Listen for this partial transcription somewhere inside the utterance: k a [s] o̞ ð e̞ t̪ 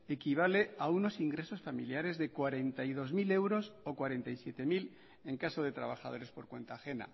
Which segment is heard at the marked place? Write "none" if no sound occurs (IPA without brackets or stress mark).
s